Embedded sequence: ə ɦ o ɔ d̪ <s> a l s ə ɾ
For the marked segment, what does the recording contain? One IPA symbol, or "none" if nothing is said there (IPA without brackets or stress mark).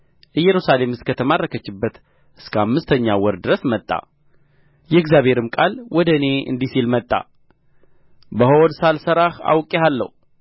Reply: s